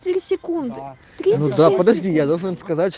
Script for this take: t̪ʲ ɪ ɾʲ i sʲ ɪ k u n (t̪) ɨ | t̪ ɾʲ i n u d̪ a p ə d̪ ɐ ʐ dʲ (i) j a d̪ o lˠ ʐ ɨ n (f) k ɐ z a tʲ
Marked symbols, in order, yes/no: no, yes, no

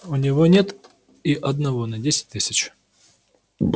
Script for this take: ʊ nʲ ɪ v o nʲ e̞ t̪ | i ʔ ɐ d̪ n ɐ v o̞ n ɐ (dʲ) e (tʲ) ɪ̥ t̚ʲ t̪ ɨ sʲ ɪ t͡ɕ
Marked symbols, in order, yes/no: yes, no

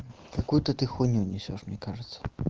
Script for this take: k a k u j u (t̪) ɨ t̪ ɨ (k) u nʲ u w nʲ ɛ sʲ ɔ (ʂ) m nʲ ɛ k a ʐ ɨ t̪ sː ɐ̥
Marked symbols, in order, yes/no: yes, no, yes

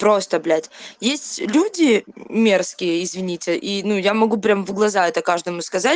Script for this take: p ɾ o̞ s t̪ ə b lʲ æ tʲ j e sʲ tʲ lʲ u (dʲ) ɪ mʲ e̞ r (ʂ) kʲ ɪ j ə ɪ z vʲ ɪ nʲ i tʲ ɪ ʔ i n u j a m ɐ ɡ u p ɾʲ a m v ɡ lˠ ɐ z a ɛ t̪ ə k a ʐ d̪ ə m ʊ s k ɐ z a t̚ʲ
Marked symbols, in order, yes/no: yes, no

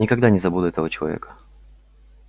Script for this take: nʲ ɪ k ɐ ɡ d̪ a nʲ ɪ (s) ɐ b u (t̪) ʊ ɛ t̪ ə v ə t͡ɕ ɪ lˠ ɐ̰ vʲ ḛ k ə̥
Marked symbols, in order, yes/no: no, no

